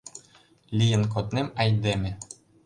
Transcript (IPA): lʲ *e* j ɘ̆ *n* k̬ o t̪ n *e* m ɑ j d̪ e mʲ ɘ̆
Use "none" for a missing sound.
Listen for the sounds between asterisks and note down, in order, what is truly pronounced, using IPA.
i, n, e

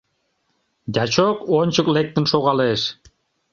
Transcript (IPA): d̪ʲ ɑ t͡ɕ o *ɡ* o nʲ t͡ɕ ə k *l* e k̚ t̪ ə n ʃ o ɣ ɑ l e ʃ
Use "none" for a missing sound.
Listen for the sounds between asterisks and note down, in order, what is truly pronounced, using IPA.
k, l

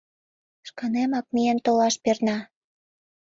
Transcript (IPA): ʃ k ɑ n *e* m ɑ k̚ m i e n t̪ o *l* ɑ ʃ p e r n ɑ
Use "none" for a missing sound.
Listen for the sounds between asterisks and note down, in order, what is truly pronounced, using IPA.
e, l

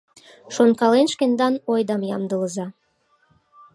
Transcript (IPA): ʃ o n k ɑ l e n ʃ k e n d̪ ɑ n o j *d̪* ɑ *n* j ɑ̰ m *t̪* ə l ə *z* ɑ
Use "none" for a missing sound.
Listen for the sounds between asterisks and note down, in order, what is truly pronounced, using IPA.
d̪, m, d̪, z

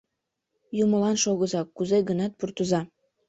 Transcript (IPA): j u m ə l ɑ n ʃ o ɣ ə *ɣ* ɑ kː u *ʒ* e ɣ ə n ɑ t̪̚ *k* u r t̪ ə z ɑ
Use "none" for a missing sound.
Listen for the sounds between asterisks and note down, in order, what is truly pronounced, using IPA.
z, z, p

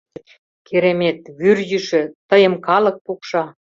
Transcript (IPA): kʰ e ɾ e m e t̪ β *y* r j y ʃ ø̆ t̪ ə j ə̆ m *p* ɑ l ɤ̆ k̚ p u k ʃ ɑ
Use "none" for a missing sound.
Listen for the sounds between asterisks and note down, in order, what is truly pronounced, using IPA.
y, k

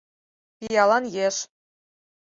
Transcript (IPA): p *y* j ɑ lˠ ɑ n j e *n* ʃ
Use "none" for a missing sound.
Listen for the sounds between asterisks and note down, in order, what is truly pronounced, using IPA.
i, none

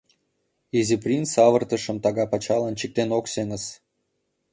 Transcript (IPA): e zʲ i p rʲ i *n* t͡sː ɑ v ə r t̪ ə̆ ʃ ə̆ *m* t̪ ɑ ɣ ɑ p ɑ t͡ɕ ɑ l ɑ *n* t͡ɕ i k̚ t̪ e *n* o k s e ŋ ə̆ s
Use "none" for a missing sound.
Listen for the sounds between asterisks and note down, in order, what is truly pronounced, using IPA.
n, m, n, n

